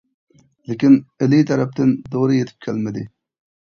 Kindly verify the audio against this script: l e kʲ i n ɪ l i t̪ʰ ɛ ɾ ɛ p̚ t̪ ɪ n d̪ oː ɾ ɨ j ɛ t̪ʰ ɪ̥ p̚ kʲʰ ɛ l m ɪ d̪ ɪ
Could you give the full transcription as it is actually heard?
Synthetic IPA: l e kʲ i n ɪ l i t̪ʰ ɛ ɾ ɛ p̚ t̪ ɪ n d̪ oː ɾ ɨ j e t̪ʰ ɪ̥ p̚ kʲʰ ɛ l m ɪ d̪ ɪ